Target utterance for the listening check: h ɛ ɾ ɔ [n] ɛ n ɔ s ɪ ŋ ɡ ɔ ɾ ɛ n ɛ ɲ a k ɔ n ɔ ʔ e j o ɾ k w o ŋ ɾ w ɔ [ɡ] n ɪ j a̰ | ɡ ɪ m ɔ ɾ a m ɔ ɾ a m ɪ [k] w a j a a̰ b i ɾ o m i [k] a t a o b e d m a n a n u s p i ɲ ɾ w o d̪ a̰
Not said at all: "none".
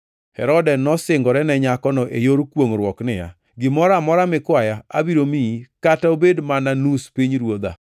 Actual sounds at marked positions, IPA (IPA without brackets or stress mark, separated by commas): d, k, k, k